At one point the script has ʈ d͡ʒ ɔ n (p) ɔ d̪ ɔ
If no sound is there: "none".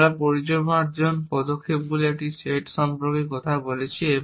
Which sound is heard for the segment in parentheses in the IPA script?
p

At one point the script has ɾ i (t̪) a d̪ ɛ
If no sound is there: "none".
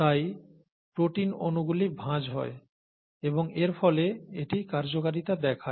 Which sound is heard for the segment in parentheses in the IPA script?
t̪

